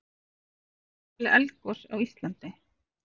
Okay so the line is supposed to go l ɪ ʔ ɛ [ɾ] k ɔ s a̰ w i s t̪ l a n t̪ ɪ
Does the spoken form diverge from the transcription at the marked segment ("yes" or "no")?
yes